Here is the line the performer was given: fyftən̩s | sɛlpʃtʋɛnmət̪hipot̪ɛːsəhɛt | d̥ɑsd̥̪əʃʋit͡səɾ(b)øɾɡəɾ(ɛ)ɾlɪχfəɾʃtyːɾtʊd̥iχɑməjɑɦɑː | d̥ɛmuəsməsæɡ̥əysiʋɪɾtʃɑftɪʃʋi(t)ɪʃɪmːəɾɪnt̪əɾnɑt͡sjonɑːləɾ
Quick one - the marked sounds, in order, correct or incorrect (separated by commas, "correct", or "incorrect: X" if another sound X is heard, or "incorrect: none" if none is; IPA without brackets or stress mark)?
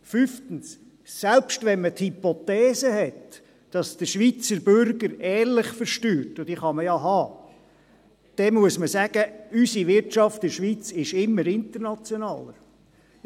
correct, incorrect: ɛː, incorrect: t͡s